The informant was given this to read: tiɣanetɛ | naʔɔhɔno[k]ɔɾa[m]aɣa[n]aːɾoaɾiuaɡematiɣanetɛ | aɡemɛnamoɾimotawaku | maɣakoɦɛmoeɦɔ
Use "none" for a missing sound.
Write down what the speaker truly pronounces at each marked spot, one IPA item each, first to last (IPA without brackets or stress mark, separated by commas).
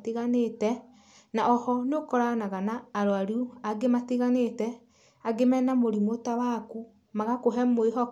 k, n, n